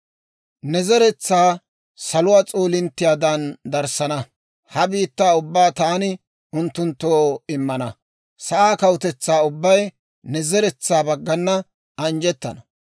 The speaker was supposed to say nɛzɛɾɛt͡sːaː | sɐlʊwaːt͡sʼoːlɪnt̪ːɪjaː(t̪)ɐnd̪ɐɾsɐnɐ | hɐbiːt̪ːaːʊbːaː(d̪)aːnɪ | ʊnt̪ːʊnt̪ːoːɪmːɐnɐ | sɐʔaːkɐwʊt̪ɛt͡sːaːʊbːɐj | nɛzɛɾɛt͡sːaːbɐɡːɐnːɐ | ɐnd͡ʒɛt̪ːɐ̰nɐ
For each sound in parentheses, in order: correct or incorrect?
incorrect: d̪, incorrect: t̪

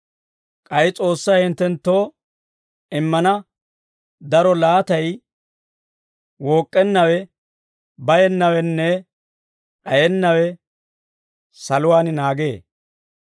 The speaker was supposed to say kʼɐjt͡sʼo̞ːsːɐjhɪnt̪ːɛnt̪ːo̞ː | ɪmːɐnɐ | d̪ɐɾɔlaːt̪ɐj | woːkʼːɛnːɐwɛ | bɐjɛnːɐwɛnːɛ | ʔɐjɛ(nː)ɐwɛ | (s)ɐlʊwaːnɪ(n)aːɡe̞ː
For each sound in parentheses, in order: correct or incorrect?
correct, correct, correct

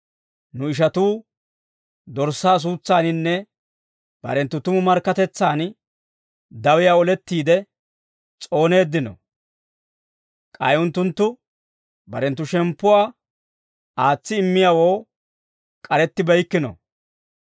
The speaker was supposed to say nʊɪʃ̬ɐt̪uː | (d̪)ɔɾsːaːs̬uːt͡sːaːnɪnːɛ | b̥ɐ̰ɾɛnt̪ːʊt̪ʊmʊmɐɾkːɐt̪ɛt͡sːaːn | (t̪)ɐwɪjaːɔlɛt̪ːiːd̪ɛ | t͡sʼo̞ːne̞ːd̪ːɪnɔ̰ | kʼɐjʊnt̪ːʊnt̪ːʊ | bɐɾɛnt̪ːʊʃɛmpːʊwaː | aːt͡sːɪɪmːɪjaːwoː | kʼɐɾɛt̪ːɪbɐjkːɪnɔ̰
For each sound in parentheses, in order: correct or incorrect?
correct, incorrect: d̪

